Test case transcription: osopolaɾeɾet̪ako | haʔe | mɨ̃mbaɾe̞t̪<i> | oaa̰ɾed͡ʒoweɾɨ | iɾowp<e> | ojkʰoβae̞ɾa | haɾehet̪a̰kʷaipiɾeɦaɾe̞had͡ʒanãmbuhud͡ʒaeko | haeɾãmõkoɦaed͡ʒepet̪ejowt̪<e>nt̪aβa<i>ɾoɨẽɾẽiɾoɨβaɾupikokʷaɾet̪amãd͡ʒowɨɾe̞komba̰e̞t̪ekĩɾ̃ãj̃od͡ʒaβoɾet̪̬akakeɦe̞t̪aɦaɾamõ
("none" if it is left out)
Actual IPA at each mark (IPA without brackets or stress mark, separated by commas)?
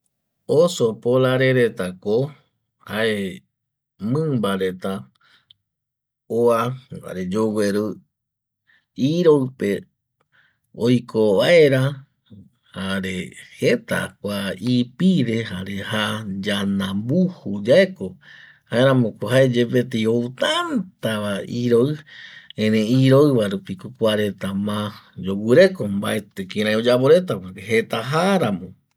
a, e, a, i